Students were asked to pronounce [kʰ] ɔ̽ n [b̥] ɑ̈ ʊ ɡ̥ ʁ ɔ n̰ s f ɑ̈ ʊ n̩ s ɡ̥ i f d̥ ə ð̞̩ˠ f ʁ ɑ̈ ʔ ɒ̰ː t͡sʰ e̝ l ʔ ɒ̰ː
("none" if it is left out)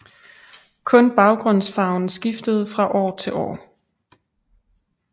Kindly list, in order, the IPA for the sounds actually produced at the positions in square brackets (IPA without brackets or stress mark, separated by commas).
kʰ, b̥